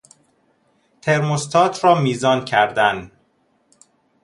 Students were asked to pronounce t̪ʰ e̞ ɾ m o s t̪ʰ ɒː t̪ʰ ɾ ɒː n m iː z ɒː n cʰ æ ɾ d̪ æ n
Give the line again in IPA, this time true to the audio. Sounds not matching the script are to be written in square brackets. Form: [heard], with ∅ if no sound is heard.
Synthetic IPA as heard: t̪ʰ e̞ ɾ m o s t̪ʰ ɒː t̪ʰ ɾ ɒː [∅] m iː z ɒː n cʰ æ ɾ d̪ æ n

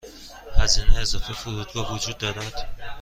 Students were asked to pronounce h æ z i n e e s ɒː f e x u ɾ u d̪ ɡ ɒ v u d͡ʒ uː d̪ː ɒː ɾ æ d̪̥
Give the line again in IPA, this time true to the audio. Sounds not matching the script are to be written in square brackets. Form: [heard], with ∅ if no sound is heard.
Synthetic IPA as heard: h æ z i n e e [z] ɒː f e [f] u ɾ u d̪ ɡ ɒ v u d͡ʒ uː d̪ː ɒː ɾ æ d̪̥

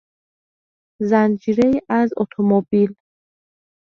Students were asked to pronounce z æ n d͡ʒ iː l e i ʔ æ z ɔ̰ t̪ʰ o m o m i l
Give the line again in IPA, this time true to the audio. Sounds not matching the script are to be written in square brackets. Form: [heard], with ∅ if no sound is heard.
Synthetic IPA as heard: z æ n d͡ʒ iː [ɾ] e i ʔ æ z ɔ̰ t̪ʰ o m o [b] i l

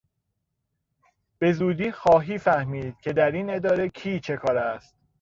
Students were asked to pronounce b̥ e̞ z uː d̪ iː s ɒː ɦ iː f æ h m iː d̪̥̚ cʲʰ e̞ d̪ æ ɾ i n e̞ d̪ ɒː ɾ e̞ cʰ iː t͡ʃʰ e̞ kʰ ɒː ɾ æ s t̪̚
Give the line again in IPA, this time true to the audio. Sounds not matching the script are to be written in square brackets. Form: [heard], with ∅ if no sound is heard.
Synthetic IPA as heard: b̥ e̞ z uː d̪ iː [x] ɒː ɦ iː f æ h m iː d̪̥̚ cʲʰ e̞ d̪ æ ɾ i n e̞ d̪ ɒː ɾ e̞ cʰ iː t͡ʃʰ e̞ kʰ ɒː ɾ æ s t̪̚

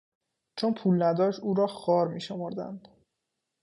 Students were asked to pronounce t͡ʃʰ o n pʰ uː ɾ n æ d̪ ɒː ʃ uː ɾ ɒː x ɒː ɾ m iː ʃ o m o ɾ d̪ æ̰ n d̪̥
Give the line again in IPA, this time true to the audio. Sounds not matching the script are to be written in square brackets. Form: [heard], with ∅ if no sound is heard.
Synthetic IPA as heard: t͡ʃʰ o n pʰ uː [l] n æ d̪ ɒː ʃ uː ɾ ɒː x ɒː ɾ m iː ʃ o m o ɾ d̪ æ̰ n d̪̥

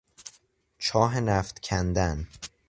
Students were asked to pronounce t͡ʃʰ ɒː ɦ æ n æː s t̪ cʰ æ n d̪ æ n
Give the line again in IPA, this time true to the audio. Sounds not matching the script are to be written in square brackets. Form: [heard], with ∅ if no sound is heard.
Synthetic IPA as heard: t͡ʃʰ ɒː ɦ [e] n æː [f] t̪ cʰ æ n d̪ æ n

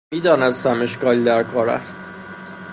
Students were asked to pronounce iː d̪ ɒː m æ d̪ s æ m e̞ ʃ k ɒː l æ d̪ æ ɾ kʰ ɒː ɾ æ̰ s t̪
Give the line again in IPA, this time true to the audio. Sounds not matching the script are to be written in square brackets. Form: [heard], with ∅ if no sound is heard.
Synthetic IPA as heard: iː d̪ ɒː [n] æ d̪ s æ m e̞ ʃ k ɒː l [i] d̪ æ ɾ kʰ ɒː ɾ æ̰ s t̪

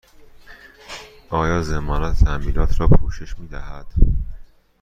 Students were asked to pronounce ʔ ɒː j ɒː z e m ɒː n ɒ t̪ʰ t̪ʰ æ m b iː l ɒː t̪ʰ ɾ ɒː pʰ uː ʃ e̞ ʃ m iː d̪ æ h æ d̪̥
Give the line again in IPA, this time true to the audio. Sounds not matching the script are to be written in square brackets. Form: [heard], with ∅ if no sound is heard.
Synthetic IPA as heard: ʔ ɒː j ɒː z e m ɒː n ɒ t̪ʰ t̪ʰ æ m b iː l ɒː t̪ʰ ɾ ɒː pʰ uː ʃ e̞ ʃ m iː d̪ æ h æ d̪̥

